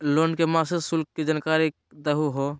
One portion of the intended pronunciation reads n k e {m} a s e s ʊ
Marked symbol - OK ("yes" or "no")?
yes